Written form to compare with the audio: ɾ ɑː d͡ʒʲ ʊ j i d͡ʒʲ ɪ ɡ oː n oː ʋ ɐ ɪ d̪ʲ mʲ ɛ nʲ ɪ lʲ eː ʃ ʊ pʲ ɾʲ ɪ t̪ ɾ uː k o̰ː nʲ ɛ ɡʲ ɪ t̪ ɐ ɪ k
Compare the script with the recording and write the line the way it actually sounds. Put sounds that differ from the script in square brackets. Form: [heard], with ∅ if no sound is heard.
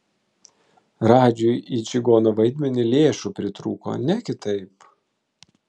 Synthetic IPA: ɾ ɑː d͡ʒʲ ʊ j i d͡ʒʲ ɪ ɡ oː n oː ʋ ɐ ɪ d̪ʲ mʲ ɛ nʲ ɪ lʲ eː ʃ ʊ pʲ ɾʲ ɪ t̪ ɾ uː k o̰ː nʲ ɛ [kʲ] ɪ t̪ ɐ ɪ [p]